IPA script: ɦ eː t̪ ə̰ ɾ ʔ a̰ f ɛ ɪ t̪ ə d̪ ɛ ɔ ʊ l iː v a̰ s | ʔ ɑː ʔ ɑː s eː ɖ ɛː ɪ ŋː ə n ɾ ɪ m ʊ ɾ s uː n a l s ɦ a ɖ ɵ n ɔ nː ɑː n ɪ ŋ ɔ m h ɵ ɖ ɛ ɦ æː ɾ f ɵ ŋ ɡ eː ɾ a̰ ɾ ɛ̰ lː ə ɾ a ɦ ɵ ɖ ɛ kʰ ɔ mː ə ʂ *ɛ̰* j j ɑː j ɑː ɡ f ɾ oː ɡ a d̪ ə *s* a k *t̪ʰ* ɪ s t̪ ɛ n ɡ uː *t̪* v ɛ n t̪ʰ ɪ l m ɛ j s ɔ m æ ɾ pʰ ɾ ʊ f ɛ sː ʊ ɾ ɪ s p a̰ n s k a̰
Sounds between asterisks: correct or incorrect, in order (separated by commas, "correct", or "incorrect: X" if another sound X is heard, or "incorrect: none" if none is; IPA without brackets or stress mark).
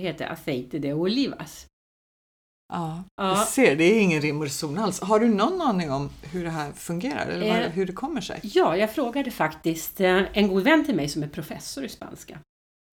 correct, incorrect: f, incorrect: t̪, incorrect: d̪